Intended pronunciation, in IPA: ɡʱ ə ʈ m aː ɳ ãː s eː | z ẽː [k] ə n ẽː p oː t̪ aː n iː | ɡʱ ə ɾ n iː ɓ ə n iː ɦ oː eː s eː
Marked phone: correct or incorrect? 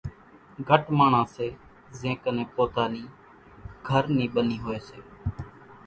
correct